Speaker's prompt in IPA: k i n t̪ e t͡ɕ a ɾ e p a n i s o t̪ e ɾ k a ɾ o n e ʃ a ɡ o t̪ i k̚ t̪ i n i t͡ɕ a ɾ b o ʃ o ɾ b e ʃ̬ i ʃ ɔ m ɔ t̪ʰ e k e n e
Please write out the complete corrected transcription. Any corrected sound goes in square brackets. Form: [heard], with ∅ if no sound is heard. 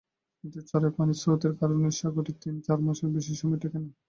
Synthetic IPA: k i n t̪ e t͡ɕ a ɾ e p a n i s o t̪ e ɾ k a ɾ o n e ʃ a ɡ o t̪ i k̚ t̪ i n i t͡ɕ a ɾ [m] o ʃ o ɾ b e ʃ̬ i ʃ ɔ m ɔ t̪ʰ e k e n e

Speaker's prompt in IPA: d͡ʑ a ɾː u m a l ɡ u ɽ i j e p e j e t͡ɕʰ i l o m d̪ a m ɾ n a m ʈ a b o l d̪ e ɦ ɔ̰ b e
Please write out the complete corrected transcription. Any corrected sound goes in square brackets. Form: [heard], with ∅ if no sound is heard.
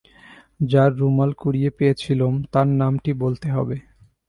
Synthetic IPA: d͡ʑ a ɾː u m a l [k] u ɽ i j e p e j e t͡ɕʰ i l o m [t̪] a [∅] ɾ n a m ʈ [i] b o l [t̪] e ɦ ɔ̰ b e

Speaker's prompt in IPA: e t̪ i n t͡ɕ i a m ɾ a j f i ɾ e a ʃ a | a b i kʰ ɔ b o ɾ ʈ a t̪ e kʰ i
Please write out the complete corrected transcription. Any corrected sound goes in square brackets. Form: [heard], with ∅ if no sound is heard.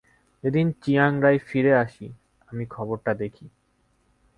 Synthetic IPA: e [d̪] i n t͡ɕ i a [ŋ] ɾ a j f i ɾ e a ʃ [i] | a [m] i kʰ ɔ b o ɾ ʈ a [d̪] e kʰ i

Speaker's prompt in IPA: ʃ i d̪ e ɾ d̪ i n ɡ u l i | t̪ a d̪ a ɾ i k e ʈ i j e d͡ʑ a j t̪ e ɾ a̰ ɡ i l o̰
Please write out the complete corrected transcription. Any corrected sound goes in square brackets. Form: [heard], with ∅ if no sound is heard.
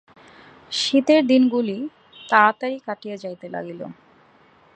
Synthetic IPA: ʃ i [t̪] e ɾ d̪ i n ɡ u l i | t̪ a [t̪] a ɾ i k [a] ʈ i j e d͡ʑ a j t̪ e [l] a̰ ɡ i l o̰

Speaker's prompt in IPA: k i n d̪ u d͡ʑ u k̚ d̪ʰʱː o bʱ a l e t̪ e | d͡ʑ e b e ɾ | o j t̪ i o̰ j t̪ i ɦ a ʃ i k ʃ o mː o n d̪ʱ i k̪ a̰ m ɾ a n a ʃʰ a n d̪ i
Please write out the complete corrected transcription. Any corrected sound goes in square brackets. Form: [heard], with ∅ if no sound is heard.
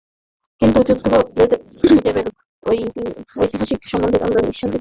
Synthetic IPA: k i n [t̪] u d͡ʑ u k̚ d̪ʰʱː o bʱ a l e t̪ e | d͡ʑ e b e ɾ | o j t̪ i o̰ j t̪ i ɦ a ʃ i k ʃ [ɔ] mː o n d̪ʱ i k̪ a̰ m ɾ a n [i] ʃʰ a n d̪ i

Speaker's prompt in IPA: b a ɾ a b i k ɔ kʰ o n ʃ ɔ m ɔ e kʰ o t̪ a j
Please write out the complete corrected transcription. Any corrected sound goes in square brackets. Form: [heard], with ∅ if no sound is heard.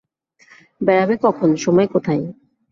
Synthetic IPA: b [ɛ] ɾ a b [e] k ɔ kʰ o n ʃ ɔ m ɔ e [k] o [t̪ʰ] a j

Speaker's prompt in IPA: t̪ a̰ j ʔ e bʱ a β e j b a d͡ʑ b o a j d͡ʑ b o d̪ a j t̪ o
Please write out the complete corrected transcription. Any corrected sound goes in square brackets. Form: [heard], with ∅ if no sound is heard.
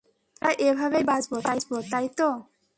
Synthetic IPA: t̪ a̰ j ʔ e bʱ a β e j b a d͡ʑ b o a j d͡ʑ b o [t̪] a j t̪ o

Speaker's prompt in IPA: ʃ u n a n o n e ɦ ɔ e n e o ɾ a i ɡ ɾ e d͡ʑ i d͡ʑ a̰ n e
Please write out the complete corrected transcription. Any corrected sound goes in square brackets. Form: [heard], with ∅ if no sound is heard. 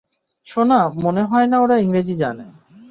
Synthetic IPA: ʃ [o] n a [m] o n e ɦ ɔ e n [a] o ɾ a i [ŋ] ɾ e d͡ʑ i d͡ʑ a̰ n e

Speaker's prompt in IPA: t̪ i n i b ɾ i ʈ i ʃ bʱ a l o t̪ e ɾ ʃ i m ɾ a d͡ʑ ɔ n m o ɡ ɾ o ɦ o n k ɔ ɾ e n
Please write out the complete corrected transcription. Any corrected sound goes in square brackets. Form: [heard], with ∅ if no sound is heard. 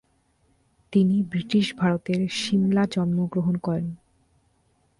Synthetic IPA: t̪ i n i b ɾ i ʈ i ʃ bʱ a [ɾ] o t̪ e ɾ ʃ i m [l] a d͡ʑ ɔ n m o ɡ ɾ o ɦ o n k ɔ ɾ e n

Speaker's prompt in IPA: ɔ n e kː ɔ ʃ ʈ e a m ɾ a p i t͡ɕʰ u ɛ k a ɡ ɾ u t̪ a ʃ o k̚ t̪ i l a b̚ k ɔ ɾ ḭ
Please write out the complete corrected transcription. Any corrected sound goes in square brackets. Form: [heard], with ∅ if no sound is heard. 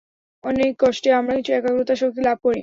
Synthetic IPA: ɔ n e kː ɔ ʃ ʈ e a m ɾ a [k] i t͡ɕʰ u ɛ k a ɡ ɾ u t̪ a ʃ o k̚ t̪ i l a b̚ k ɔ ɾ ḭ

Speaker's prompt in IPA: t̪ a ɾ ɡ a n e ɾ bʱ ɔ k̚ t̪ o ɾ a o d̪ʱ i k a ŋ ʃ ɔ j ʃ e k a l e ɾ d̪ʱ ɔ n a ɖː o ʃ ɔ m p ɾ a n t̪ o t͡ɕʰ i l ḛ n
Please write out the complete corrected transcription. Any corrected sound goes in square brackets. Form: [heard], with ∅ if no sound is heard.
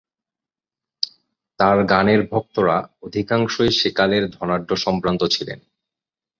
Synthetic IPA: t̪ a ɾ ɡ a n e ɾ bʱ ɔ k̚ t̪ o ɾ a o d̪ʱ i k a ŋ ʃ [o] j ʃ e k a l e ɾ d̪ʱ ɔ n a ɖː o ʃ ɔ m p ɾ a n t̪ o t͡ɕʰ i l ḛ n

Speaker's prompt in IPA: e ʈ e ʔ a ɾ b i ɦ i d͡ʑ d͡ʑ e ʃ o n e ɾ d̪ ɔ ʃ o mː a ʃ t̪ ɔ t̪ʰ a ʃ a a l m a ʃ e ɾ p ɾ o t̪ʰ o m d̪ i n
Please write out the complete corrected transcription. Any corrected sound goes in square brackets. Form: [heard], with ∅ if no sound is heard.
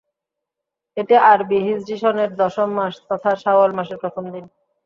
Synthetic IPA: e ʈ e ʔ a ɾ b i ɦ i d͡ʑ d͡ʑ [i] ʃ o n e ɾ d̪ ɔ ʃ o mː a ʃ t̪ ɔ t̪ʰ a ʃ a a l m a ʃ e ɾ p ɾ o t̪ʰ o m d̪ i n

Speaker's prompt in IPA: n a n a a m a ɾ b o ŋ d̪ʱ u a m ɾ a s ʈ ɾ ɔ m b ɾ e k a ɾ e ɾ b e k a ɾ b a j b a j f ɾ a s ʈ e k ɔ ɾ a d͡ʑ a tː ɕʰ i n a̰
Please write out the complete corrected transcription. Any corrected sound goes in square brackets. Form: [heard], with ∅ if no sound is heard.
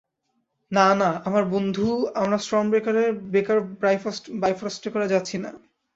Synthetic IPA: n a n a a m a ɾ b o [n] d̪ʱ u a m ɾ a s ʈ ɾ ɔ m b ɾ e k a ɾ e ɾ b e k a ɾ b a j b a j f ɾ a s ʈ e k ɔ ɾ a d͡ʑ a tː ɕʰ i n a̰

